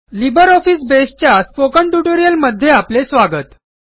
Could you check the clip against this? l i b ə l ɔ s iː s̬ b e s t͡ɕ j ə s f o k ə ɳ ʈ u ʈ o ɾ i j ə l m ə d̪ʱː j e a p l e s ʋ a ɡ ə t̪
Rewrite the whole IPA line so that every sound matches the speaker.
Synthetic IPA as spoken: l i b ə ɾ ɔ f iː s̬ b e s t͡ɕ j a s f o k ə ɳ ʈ u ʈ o ɾ i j ə l m ə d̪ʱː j e a p l e s ʋ a ɡ ə t̪